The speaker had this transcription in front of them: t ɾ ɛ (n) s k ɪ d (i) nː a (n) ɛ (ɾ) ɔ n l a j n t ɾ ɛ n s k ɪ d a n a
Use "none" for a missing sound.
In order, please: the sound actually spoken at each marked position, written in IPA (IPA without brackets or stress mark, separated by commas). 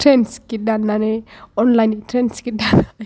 n, a, n, none